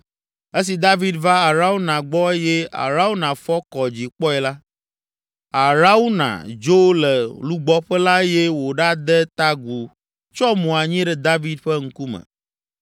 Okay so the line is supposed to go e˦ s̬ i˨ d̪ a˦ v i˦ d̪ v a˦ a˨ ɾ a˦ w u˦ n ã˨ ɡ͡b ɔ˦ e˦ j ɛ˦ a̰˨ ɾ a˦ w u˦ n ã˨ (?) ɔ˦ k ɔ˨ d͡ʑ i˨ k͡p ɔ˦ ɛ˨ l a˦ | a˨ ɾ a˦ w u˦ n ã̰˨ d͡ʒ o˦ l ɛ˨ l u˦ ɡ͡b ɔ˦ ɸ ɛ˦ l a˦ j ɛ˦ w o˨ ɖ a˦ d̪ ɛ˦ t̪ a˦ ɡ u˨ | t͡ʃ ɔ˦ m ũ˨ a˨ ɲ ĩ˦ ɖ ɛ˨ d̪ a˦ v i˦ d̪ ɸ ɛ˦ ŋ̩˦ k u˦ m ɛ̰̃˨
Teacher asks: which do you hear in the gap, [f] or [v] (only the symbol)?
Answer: f